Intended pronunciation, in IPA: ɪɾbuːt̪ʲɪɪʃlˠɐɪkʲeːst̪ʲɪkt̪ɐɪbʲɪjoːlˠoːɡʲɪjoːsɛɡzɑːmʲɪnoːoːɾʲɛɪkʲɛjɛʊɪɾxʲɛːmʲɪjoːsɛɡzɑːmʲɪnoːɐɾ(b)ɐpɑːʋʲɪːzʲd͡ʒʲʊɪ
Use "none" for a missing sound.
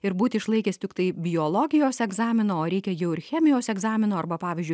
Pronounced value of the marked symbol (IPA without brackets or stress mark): b